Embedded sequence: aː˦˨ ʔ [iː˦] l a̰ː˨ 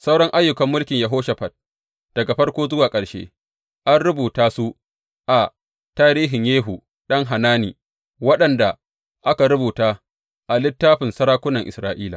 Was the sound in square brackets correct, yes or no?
yes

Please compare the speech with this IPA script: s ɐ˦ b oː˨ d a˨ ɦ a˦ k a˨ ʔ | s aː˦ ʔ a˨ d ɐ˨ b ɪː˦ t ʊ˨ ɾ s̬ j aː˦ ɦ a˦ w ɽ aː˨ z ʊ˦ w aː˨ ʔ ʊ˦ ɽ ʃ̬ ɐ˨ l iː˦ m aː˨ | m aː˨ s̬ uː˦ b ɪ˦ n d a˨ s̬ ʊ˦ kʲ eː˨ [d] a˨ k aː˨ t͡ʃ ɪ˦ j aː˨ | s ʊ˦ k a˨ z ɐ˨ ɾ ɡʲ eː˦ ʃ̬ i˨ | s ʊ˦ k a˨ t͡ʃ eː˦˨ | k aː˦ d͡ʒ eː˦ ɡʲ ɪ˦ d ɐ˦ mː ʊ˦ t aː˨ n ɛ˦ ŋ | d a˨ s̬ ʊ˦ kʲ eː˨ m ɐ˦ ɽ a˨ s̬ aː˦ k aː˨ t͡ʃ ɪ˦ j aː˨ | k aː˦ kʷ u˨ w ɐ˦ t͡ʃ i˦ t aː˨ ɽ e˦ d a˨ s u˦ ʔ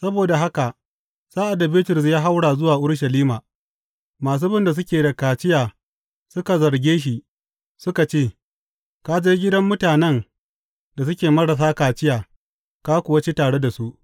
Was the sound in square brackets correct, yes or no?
yes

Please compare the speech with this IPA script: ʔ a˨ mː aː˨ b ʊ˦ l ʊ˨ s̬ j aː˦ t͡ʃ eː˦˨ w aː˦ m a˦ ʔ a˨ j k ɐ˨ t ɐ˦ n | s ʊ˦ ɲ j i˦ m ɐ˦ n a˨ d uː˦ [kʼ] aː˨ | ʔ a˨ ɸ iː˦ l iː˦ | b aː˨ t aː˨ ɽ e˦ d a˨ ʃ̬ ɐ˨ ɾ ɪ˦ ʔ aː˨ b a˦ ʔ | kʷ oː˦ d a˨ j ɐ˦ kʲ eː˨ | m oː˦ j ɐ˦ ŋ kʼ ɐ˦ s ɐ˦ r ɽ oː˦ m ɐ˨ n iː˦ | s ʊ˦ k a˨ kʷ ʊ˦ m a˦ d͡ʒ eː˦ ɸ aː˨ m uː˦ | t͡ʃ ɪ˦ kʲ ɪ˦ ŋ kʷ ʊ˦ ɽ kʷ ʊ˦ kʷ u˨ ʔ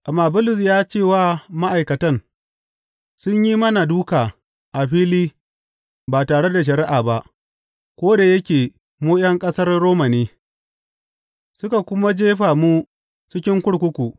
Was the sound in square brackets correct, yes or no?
no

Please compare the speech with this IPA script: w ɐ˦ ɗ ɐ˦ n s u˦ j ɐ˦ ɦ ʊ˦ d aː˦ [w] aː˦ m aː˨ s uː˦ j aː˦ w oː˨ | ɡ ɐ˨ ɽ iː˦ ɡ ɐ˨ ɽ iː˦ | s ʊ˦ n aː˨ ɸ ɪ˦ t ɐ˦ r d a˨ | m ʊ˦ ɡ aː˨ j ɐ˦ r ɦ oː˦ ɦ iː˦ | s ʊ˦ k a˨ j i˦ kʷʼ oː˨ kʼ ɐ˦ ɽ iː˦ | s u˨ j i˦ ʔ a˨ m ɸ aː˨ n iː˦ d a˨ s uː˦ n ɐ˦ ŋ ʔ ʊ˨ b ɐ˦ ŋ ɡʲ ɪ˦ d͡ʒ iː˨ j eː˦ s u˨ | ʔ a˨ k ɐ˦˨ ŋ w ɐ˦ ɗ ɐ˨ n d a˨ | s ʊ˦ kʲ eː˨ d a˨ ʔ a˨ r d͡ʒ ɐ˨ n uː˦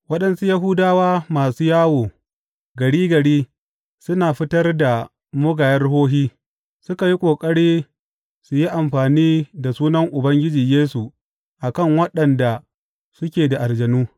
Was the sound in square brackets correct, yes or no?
yes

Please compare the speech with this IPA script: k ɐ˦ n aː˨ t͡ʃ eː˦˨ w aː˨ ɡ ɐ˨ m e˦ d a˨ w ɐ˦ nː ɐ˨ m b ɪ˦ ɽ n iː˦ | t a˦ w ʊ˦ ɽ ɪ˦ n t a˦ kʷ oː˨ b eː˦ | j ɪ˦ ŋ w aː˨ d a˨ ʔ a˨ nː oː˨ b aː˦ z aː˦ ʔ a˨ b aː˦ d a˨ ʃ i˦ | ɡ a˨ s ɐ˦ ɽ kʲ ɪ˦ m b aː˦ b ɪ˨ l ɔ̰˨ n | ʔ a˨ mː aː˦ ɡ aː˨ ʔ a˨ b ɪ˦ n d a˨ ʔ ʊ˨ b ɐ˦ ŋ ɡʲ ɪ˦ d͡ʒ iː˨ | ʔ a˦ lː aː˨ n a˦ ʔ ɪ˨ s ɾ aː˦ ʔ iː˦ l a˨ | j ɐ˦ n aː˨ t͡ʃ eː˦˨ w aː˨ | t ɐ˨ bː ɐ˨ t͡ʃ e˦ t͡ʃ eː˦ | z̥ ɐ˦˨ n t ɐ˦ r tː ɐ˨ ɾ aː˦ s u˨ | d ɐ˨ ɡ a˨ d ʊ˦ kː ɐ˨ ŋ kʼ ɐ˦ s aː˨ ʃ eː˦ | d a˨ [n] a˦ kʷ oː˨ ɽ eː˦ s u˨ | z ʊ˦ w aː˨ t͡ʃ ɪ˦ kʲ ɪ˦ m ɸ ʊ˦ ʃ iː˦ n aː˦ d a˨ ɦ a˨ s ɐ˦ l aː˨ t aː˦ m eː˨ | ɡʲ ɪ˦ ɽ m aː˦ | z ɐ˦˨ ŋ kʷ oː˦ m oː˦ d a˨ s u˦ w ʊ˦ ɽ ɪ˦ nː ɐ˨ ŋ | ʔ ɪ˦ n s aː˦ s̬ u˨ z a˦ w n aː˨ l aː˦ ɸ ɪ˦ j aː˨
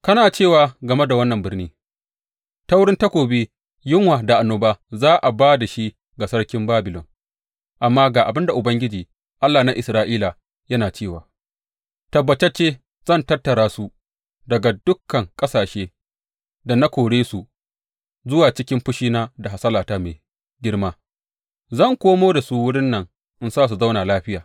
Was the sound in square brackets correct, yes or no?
yes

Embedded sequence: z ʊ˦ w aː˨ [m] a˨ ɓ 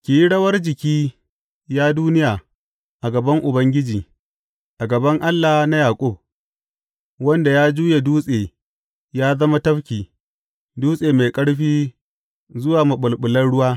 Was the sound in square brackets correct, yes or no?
yes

